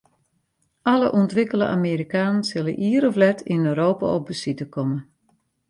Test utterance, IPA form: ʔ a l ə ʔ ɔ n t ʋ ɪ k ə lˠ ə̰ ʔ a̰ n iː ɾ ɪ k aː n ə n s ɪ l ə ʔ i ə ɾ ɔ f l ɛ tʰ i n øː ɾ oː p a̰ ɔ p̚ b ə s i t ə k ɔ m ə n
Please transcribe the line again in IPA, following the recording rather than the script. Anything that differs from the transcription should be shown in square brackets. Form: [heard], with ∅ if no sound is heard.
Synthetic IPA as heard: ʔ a l ə ʔ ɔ n t ʋ ɪ k ə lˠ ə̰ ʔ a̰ [m] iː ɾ [i] k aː n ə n s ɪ l ə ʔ i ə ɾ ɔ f l ɛ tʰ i n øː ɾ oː p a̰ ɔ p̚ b ə s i t ə k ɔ m ə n